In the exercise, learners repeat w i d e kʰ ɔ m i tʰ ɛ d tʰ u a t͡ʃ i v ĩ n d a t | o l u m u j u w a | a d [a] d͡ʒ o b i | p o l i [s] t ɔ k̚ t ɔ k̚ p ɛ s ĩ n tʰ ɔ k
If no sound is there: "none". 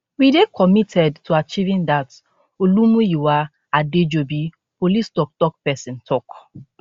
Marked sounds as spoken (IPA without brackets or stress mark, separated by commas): e, s